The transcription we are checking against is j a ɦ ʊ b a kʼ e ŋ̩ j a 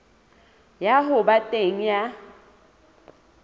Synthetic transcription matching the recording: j a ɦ ʊ b a tʼ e ŋ̩ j a